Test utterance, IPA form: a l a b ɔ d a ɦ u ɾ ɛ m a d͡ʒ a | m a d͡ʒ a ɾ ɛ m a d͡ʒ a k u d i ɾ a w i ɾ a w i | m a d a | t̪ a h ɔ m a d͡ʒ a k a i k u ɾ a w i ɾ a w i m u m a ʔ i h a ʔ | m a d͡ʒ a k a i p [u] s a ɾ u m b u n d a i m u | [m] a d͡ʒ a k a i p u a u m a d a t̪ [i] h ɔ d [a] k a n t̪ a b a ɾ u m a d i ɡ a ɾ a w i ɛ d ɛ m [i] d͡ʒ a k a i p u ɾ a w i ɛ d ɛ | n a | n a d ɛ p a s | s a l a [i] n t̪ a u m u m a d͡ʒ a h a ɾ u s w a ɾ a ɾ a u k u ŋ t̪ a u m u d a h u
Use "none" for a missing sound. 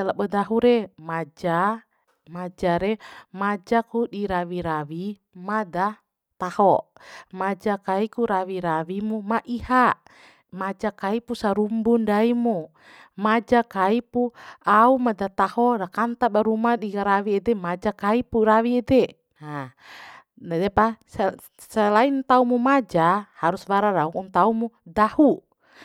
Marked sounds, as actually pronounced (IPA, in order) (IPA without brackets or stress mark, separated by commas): u, m, a, a, a, i